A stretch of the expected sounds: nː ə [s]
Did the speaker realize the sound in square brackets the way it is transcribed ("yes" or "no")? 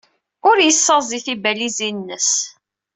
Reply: yes